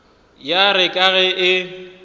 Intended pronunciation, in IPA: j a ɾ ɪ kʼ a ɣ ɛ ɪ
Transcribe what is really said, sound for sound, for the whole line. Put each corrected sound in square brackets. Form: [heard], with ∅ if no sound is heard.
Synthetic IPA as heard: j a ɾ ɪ kʼ a ɣ ɛ ɪ